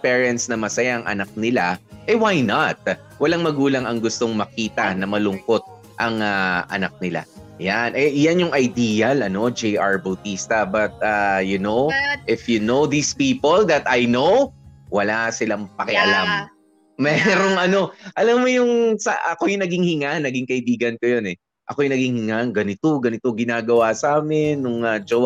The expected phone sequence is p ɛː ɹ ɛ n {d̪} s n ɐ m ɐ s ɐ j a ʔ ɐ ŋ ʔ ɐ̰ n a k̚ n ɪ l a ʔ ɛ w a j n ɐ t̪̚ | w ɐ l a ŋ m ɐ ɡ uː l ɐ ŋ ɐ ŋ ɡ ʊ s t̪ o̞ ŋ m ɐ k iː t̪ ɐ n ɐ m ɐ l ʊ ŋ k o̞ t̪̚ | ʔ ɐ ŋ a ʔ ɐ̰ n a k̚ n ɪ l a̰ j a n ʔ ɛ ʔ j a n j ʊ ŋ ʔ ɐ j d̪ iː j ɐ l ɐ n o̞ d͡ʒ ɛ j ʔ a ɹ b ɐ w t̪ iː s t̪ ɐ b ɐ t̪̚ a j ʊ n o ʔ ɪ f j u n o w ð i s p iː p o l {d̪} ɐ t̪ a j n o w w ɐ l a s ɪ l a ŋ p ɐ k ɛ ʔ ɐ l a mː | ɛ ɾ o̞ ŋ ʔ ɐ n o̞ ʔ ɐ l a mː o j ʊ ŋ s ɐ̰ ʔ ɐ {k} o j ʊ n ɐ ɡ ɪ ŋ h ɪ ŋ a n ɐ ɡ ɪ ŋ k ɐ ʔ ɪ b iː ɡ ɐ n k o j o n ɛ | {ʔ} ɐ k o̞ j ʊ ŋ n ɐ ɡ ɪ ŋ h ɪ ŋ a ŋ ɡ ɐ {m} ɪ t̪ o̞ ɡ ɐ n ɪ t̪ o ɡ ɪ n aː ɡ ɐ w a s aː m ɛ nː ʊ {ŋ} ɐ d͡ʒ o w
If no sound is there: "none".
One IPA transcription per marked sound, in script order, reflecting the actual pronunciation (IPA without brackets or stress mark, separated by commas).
t̪, d̪, k, ʔ, n, ŋ